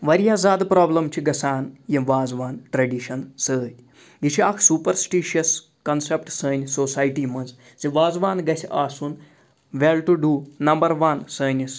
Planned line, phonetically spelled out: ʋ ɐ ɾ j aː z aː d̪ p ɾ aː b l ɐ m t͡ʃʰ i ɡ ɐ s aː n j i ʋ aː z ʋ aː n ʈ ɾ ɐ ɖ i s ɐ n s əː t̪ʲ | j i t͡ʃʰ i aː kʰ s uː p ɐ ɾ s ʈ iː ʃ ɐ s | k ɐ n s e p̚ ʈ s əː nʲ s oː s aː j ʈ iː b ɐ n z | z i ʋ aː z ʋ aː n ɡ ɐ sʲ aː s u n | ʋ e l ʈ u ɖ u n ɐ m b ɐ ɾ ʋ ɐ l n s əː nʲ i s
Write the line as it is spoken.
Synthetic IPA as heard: ʋ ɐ ɾ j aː z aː d̪ p ɾ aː b l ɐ m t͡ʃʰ i ɡ ɐ s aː n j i ʋ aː z ʋ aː n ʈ ɾ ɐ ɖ i ʃ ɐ n s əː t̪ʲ | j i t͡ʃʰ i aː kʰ s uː p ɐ ɾ s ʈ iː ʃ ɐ s | k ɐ n s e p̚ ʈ s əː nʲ s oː s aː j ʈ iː m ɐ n z | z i ʋ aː z ʋ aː n ɡ ɐ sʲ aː s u n | ʋ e l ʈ u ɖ u n ɐ m b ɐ ɾ ʋ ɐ n s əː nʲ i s

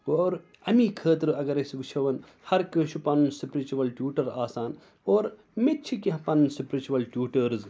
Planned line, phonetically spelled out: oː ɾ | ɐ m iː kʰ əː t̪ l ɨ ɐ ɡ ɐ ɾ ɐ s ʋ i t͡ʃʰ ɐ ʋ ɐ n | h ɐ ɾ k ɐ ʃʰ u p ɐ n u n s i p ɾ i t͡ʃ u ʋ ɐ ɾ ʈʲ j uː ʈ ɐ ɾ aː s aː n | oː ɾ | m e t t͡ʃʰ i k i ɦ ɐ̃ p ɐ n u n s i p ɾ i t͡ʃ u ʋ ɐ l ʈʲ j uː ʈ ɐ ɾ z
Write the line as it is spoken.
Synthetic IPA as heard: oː ɾ | ɐ m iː kʰ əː t̪ ɾ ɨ ɐ ɡ ɐ ɾ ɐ s ʋ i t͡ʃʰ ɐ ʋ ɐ n | h ɐ ɾ k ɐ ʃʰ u p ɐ n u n s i p ɾ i t͡ʃ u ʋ ɐ l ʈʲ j uː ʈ ɐ ɾ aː s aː n | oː ɾ | m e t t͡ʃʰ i k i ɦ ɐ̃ p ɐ n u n s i p ɾ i t͡ʃ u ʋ ɐ l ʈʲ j uː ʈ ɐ ɾ z

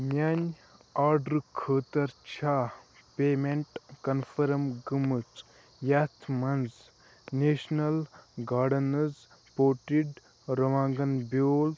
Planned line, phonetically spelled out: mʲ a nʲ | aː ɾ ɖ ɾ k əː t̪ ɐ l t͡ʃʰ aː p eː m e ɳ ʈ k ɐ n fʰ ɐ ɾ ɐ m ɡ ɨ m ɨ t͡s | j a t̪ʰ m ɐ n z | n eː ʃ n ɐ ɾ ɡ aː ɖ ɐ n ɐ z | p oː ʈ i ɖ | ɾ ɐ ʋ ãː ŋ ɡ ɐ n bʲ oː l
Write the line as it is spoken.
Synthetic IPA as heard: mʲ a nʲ | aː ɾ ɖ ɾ kʰ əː t̪ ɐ ɾ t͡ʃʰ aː p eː m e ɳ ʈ k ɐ n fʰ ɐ ɾ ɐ m ɡ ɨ m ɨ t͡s | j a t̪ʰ m ɐ n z | n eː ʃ n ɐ l ɡ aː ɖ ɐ n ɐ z | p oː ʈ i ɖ | ɾ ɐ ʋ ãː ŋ ɡ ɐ n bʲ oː l

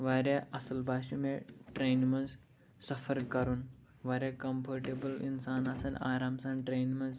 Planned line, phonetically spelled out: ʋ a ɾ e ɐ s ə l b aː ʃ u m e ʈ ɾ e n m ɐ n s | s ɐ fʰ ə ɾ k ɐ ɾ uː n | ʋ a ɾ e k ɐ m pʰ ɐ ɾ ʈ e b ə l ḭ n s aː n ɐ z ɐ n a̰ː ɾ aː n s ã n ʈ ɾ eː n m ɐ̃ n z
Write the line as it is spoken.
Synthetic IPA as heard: ʋ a ɾ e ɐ s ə l b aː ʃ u m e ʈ ɾ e n m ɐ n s | s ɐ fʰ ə ɾ k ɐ ɾ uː n | ʋ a ɾ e k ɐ m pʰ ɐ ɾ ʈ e b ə l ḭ n s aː n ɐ s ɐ n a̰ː ɾ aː m s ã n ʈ ɾ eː n m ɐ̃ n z

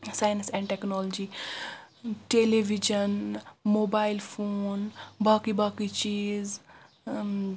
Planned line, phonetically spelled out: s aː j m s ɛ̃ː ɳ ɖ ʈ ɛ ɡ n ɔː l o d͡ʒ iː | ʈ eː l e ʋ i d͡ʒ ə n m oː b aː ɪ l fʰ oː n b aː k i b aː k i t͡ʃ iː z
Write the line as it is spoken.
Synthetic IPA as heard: s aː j n s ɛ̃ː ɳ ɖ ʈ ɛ k n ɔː l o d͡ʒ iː | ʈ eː l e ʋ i d͡ʒ ə n m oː b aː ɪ l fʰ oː n b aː k i b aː k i t͡ʃ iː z

